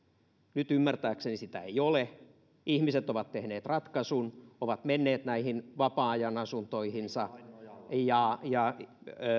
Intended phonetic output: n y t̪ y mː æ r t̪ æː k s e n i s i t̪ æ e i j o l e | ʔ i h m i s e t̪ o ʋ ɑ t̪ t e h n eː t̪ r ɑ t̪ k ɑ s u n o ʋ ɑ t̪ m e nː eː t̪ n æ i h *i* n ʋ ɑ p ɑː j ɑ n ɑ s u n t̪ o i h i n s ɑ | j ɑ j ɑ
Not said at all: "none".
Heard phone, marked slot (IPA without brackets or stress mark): i